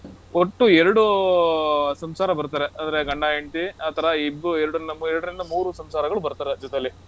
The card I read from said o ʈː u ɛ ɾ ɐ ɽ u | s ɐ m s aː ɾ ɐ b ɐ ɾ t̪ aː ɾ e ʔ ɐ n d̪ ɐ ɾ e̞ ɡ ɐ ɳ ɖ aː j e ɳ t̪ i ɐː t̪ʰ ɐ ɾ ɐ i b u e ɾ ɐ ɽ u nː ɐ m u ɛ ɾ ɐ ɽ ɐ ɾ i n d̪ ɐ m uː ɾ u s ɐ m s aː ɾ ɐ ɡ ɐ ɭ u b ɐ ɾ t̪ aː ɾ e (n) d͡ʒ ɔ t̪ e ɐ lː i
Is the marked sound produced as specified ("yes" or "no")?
no